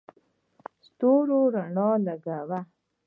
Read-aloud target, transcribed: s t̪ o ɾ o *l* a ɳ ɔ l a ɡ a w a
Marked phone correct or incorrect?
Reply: incorrect